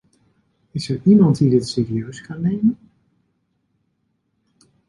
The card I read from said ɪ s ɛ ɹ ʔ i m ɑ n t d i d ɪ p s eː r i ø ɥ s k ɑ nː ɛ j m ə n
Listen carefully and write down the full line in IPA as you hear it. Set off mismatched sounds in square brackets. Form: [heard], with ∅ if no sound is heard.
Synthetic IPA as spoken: ɪ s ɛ ɹ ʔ i m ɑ n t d i d ɪ [t] s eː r i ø ɥ s k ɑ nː [e] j m ə n